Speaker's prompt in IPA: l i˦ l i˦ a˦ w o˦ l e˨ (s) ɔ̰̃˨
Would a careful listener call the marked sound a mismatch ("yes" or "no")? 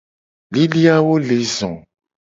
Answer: yes